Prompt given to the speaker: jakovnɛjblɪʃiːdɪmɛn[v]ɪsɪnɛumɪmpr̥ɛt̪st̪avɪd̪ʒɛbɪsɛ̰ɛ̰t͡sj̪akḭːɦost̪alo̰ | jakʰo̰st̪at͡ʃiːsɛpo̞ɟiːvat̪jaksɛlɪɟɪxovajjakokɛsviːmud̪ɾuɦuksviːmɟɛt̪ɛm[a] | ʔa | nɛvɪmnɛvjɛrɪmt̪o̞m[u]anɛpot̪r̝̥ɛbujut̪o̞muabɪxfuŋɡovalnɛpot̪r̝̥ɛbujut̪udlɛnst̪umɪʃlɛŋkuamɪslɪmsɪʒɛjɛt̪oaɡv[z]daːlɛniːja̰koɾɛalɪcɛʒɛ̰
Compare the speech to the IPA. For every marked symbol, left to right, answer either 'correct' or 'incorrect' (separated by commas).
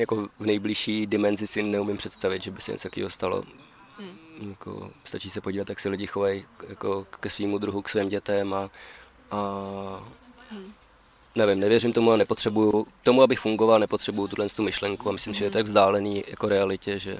incorrect, correct, correct, correct